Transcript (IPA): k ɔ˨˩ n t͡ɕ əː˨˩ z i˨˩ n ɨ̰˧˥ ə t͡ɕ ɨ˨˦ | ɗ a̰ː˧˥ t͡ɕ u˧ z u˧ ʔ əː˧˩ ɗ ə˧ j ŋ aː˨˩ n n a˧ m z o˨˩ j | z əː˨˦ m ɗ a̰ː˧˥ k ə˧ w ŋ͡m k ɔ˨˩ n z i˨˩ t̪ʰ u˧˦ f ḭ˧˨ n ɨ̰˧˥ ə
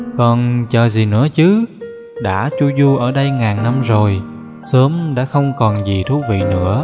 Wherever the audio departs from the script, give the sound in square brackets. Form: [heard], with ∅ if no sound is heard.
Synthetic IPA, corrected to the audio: k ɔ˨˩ n t͡ɕ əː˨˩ z i˨˩ n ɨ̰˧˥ ə t͡ɕ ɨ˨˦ | ɗ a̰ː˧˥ t͡ɕ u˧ z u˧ ʔ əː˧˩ ɗ ə˧ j ŋ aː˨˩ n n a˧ m z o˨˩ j | [s] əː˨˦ m ɗ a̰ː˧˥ [x] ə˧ w ŋ͡m k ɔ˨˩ n z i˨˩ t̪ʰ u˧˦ [v] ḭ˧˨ n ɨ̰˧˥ ə

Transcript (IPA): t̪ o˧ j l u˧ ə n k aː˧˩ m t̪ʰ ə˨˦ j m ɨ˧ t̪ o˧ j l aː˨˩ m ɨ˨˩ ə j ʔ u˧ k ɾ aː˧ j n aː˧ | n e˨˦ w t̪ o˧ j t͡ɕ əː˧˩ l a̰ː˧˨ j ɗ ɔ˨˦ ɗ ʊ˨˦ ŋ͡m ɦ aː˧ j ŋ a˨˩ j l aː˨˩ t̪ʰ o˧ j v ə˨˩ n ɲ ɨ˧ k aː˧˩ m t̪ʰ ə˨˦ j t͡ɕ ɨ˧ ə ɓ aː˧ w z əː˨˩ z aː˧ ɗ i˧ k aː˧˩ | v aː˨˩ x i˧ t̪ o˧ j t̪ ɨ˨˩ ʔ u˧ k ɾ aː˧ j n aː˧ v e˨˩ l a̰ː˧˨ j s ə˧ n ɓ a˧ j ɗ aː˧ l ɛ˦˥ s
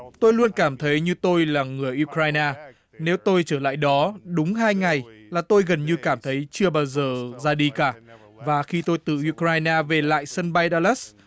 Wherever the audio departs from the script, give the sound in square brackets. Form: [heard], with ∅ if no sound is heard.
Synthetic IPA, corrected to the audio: t̪ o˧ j l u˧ ə n k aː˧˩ m t̪ʰ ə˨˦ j [ɲ] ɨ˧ t̪ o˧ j l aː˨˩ [ŋ] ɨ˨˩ ə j ʔ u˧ k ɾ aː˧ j n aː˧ | n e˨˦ w t̪ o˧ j t͡ɕ əː˧˩ l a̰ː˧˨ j ɗ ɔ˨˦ ɗ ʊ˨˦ ŋ͡m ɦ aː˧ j ŋ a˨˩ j l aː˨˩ [t̪] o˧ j [ɣ] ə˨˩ n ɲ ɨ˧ k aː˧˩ m t̪ʰ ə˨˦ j t͡ɕ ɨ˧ ə ɓ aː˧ w z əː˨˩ z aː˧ ɗ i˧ k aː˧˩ | v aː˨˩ x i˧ t̪ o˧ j t̪ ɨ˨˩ ʔ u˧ k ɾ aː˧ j n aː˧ v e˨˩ l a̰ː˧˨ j s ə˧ n ɓ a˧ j ɗ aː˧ l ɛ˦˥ s

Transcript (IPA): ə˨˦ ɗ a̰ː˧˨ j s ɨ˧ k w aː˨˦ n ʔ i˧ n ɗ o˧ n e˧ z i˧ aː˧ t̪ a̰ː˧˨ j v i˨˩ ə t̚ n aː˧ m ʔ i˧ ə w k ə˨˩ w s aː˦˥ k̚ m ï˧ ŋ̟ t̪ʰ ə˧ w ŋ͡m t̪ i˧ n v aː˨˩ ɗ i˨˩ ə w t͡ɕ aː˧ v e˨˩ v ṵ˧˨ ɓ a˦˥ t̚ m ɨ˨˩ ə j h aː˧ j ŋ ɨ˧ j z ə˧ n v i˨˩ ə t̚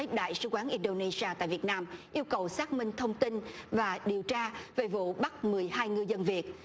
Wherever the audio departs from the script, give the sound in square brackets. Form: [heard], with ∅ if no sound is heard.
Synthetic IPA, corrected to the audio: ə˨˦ ɗ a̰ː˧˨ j s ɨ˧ k w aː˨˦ n ʔ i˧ n ɗ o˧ n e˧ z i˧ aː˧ t̪ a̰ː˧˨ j v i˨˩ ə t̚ n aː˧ m ʔ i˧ ə w k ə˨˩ w s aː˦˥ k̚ m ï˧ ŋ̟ t̪ʰ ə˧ w ŋ͡m t̪ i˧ n v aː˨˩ ɗ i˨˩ ə w t͡ɕ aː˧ v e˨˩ v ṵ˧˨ ɓ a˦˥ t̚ m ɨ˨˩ ə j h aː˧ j ŋ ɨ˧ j z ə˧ n v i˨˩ ə t̚

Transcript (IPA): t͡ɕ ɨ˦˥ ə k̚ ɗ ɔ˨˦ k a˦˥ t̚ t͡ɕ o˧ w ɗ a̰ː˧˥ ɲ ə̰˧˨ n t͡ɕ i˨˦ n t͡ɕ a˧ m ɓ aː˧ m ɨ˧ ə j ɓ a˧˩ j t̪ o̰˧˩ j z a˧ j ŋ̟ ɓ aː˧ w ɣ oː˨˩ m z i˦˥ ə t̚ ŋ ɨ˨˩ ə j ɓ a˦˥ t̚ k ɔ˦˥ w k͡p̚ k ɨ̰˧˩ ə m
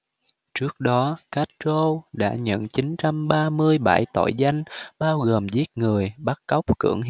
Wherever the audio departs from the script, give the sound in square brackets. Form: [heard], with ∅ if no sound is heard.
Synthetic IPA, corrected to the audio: t͡ɕ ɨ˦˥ ə k̚ ɗ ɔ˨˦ k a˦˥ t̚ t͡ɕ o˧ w ɗ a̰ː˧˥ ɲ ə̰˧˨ n t͡ɕ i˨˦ n t͡ɕ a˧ m ɓ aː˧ m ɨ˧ ə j ɓ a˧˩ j t̪ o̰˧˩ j z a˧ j ŋ̟ ɓ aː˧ w ɣ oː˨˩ m z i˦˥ ə t̚ ŋ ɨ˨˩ ə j ɓ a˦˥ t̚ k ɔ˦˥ w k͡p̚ k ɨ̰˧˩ ə [ŋ]

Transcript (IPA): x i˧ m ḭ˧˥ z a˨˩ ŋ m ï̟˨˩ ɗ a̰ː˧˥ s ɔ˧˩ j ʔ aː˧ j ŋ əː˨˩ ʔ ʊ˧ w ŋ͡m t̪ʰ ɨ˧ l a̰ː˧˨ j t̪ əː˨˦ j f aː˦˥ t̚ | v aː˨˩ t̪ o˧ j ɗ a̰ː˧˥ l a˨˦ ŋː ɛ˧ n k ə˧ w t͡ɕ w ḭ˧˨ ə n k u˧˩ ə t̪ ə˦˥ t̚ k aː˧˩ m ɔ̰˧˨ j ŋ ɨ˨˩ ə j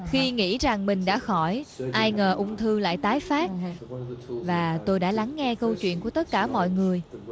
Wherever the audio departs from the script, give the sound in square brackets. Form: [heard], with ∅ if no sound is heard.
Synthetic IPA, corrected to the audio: x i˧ [ŋ] ḭ˧˥ z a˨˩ ŋ m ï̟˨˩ ɗ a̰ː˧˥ [x] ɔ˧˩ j ʔ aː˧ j ŋ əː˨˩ ʔ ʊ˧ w ŋ͡m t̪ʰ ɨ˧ l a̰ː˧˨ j t̪ [aː˨˦] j f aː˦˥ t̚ | v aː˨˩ t̪ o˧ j ɗ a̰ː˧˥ l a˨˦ ŋː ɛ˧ [∅] k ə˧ w t͡ɕ w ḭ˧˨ ə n k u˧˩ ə t̪ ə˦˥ t̚ k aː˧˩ m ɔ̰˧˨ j ŋ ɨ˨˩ ə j

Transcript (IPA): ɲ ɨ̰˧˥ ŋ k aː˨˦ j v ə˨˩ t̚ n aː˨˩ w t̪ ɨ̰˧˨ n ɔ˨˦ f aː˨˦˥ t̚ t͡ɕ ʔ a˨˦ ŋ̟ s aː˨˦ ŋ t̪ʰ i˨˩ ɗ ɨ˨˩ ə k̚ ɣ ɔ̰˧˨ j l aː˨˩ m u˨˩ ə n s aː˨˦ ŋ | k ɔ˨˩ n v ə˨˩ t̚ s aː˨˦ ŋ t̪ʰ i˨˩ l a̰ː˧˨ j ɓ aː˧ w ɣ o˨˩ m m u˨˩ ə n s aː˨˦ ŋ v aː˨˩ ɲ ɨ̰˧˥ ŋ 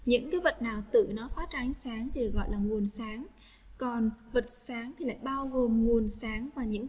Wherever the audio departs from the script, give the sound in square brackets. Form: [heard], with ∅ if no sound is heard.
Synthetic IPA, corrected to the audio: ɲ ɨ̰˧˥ ŋ k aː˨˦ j v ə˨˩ t̚ n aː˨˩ w t̪ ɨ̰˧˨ n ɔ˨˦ f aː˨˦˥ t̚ t͡ɕ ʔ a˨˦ ŋ̟ s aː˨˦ ŋ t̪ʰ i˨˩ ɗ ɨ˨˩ ə k̚ ɣ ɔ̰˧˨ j l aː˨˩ [ŋ] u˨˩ ə n s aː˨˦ ŋ | k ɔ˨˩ n v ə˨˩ t̚ s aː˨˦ ŋ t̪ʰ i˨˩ l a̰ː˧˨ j ɓ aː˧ w ɣ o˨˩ m [ŋ] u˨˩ ə n s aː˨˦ ŋ v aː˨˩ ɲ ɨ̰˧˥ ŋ

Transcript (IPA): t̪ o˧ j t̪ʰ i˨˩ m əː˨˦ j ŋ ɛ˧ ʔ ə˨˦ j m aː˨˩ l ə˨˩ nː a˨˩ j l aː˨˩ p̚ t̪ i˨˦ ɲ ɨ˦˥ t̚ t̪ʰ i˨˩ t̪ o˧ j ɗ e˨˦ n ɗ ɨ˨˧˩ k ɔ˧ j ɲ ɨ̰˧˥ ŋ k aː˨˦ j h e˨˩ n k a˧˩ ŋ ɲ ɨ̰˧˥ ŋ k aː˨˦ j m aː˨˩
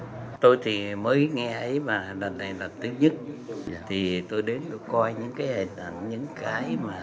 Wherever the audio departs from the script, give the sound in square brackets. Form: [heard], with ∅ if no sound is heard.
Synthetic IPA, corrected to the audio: t̪ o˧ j t̪ʰ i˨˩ m əː˨˦ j ŋ ɛ˧ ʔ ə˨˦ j m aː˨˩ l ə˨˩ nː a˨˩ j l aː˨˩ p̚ t̪ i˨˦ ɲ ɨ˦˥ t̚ t̪ʰ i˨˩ t̪ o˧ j ɗ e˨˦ n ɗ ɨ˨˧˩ k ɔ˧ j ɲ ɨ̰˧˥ ŋ k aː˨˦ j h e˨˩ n [ʔ] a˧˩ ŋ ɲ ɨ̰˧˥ ŋ k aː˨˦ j m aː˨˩

